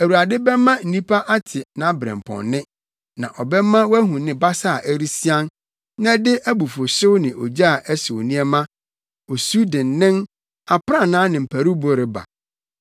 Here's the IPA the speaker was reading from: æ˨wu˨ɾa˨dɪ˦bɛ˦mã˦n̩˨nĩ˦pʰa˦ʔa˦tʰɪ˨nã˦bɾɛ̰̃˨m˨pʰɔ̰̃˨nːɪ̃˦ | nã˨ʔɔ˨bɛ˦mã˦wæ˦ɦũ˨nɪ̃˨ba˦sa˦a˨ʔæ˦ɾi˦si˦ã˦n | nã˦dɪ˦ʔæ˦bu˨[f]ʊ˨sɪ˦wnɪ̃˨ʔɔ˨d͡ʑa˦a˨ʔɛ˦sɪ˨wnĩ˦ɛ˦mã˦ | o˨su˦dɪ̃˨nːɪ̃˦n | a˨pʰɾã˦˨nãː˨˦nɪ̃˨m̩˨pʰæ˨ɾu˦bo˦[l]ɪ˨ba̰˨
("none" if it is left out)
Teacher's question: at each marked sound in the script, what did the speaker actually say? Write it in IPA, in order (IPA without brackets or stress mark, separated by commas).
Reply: f, ɾ